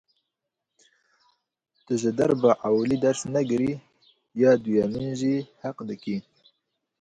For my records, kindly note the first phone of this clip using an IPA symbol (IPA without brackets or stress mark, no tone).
t̪